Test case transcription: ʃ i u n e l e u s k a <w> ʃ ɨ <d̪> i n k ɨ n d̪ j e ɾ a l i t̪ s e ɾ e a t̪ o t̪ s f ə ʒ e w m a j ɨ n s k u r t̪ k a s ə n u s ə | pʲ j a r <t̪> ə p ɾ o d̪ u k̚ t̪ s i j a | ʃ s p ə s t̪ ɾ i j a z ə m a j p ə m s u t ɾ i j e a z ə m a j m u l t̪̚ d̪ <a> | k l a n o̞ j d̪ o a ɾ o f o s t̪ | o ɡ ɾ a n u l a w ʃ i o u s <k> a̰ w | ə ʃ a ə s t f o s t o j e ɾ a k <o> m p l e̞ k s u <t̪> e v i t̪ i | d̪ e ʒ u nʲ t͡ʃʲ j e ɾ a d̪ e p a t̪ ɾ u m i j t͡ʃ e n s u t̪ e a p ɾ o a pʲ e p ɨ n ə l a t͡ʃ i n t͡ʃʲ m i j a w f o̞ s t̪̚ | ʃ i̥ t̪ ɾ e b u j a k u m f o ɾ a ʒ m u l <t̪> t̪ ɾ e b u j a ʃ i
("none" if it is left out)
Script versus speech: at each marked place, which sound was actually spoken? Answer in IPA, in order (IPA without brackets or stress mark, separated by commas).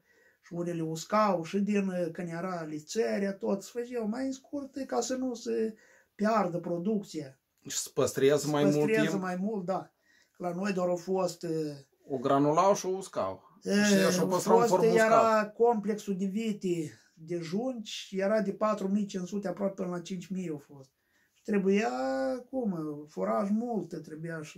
w, d̪, d̪, a, k, o, d̪, t̪